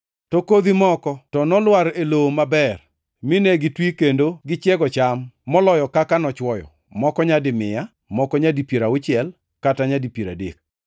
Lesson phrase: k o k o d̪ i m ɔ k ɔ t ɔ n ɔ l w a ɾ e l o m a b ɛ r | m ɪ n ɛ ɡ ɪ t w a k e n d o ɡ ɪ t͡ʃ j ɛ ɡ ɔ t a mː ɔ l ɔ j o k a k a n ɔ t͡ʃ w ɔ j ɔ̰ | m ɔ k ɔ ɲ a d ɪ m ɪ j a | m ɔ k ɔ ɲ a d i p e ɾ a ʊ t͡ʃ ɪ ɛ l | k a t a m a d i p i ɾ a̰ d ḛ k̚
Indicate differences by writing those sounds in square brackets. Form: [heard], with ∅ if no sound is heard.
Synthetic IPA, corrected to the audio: [t] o k o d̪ i m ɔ k ɔ t ɔ n ɔ l w a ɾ e l o m a b ɛ r | m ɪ n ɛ ɡ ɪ t w [i] k e n d o ɡ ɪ t͡ʃ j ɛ ɡ ɔ [t͡ʃ] a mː ɔ l ɔ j [ɔ] k a k a n ɔ t͡ʃ w ɔ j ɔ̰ | m ɔ k ɔ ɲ a d ɪ m ɪ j a | m ɔ k ɔ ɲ a d i p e ɾ a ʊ t͡ʃ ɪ ɛ l | k a t a [ɲ] a d i p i ɾ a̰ d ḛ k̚

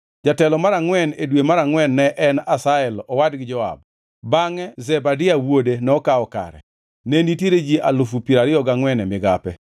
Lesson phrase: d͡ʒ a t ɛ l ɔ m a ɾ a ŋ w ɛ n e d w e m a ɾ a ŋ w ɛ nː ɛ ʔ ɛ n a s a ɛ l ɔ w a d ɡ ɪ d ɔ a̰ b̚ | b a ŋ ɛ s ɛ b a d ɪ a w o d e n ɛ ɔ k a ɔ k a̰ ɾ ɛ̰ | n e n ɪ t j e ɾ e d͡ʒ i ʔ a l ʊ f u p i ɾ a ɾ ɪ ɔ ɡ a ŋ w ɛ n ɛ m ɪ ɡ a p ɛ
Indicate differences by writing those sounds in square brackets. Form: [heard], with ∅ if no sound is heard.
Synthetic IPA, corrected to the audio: d͡ʒ a t ɛ l ɔ m a ɾ a ŋ w ɛ n e d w e m a ɾ a ŋ w ɛ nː ɛ ʔ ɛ n a s a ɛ l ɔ w a d ɡ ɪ [d͡ʒ] ɔ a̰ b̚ | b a ŋ ɛ [z] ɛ b a d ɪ a w o d e n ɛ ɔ k a ɔ k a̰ ɾ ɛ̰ | n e n [i] t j e ɾ e d͡ʒ i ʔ a l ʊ f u p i ɾ a ɾ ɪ ɔ ɡ a ŋ w ɛ n ɛ m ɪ ɡ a p ɛ

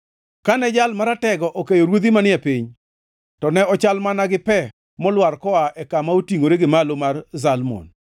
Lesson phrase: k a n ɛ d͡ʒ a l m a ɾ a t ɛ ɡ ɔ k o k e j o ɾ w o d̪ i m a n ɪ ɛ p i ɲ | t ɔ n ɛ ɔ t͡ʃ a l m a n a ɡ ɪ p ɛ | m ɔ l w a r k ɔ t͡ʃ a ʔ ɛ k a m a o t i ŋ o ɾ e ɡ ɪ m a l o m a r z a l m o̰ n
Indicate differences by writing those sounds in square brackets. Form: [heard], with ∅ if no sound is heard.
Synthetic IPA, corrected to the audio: k a n ɛ d͡ʒ a l m a ɾ a t ɛ ɡ ɔ [ʔ] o k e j o ɾ w o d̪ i m a n ɪ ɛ p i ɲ | t ɔ n ɛ ɔ t͡ʃ a l m a n a ɡ ɪ p ɛ | m ɔ l w a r k ɔ [∅] a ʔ ɛ k a m a o t i ŋ o ɾ e ɡ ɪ m a l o m a r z a l m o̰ n

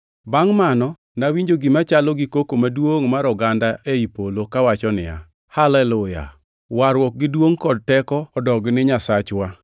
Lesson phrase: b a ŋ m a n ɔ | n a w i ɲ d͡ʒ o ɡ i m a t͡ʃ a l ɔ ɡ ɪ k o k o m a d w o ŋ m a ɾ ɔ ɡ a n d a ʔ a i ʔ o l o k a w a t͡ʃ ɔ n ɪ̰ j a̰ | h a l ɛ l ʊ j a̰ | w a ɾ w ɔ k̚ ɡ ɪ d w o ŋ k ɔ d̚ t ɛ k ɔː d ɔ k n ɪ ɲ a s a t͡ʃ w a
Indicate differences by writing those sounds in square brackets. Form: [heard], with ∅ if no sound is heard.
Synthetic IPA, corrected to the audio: b a ŋ m a n ɔ | n a w i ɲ d͡ʒ o ɡ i m a t͡ʃ a l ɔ ɡ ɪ k o k o m a d w o ŋ m a ɾ ɔ ɡ a n d a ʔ [e] i [p] o l o k a w a t͡ʃ ɔ n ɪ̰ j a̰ | h a l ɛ l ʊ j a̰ | w a ɾ w ɔ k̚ ɡ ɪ d w o ŋ k ɔ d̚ t ɛ k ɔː d ɔ [ɡ] n ɪ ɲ a s a t͡ʃ w a

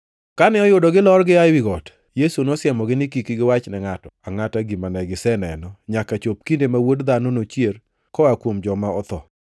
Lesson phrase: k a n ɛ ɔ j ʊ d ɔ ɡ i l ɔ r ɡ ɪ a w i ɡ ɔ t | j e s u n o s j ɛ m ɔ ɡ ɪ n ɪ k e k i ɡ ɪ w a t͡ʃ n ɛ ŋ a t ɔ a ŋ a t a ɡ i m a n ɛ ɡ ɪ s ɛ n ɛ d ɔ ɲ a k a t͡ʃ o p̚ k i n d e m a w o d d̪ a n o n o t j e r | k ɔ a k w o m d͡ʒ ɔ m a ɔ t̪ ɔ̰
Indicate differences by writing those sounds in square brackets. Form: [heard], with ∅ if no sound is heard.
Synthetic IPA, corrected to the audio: k a n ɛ ɔ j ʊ d ɔ ɡ [ɪ] l ɔ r ɡ ɪ a w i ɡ ɔ t | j e s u n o s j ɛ m ɔ ɡ ɪ n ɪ k [i] k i ɡ ɪ w a t͡ʃ n ɛ ŋ a t ɔ a ŋ a t a ɡ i m a n ɛ ɡ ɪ s ɛ n ɛ [n] ɔ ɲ a k a t͡ʃ o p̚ k i n d e m a w o d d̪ a n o n o [t͡ʃ] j e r | k ɔ a k w o m d͡ʒ ɔ m a ɔ t̪ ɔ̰

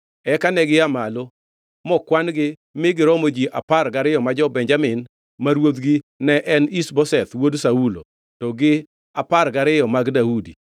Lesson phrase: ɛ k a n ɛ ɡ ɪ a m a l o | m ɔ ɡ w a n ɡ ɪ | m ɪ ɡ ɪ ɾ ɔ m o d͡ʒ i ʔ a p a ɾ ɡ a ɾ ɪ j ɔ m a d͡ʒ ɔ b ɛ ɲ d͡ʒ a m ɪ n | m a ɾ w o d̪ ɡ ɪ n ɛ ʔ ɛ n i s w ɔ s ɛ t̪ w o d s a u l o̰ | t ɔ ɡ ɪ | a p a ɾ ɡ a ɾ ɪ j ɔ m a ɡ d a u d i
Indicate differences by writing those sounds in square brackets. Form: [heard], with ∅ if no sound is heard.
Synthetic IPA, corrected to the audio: ɛ k a n ɛ ɡ ɪ a m a l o | m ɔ [k] w a n ɡ ɪ | m ɪ ɡ ɪ ɾ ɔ m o d͡ʒ i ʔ a p a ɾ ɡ a ɾ ɪ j ɔ m a d͡ʒ ɔ b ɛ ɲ d͡ʒ a m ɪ n | m a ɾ w o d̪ ɡ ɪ n ɛ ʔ ɛ n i s [b] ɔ s ɛ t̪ w o d s a u l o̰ | t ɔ ɡ ɪ | a p a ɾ ɡ a ɾ ɪ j ɔ m a ɡ d a u d i

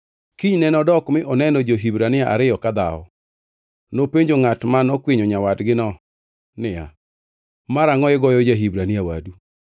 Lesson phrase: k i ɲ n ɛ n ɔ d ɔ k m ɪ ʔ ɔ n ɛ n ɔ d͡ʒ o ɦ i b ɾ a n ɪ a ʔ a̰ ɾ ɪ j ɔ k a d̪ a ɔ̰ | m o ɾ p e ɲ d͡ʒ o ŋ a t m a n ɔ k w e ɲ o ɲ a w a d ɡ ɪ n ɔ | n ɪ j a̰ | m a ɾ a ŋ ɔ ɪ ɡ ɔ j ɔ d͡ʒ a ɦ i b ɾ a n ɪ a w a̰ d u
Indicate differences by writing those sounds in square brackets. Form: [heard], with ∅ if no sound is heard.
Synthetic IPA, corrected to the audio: k i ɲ n ɛ n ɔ d ɔ k m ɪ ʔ ɔ n ɛ n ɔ d͡ʒ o ɦ i b ɾ a n ɪ a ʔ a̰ ɾ ɪ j ɔ k a d̪ a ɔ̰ | [n] o [∅] p e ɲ d͡ʒ o ŋ a t m a n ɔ k w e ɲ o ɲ a w a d ɡ ɪ n ɔ | n ɪ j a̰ | m a ɾ a ŋ ɔ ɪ ɡ ɔ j ɔ d͡ʒ a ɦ i b ɾ a n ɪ a w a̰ d u

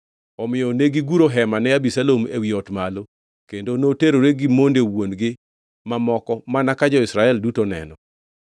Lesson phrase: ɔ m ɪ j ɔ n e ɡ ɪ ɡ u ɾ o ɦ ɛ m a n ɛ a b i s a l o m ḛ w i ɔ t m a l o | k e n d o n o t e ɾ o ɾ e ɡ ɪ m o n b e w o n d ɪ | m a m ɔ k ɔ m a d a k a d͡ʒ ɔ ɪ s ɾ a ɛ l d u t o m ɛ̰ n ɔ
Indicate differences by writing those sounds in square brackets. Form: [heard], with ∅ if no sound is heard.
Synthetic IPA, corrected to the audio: ɔ m ɪ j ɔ n e ɡ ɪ ɡ u ɾ o ɦ ɛ m a n ɛ a b i s a l o m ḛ w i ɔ t m a l o | k e n d o n o t e ɾ o ɾ e ɡ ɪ m o n [d] e w o n [ɡ] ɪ | m a m ɔ k ɔ m a [n] a k a d͡ʒ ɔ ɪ s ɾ a ɛ l d u t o [n] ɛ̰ n ɔ

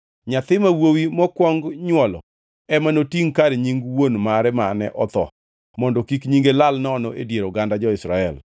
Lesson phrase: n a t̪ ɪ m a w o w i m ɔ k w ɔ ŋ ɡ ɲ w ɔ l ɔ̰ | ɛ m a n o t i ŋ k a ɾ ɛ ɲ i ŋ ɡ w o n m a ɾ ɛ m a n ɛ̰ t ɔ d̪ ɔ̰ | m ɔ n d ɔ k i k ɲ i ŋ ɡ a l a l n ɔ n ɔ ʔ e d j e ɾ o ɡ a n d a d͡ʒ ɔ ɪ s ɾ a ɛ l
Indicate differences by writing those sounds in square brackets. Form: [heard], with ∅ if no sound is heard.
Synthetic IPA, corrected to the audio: [ɲ] a t̪ ɪ m a w o w i m ɔ k w ɔ ŋ ɡ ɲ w ɔ l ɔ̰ | ɛ m a n o t i ŋ k a ɾ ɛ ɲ i ŋ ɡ w o n m a ɾ ɛ m a n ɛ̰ [ʔ] ɔ [t̪] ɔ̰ | m ɔ n d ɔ k i k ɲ i ŋ ɡ [e] l a l n ɔ n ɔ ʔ e d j e ɾ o ɡ a n d a d͡ʒ ɔ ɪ s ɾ a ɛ l

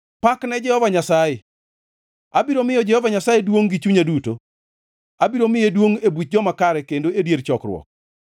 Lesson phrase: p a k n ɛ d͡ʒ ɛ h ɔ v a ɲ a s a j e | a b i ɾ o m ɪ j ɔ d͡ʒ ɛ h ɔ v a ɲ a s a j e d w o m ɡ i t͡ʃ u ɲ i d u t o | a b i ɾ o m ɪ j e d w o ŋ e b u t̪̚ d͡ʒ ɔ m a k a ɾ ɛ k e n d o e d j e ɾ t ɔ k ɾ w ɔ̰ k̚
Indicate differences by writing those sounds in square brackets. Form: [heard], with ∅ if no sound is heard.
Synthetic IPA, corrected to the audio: p a k n ɛ d͡ʒ ɛ h ɔ v a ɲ a s a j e | a b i ɾ o m ɪ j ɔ d͡ʒ ɛ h ɔ v a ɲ a s a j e d w o [ŋ] ɡ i t͡ʃ u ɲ [a] d u t o | a b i ɾ o m ɪ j e d w o ŋ e b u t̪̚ d͡ʒ ɔ m a k a ɾ ɛ k e n d o e d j e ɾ [t͡ʃ] ɔ k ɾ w ɔ̰ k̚

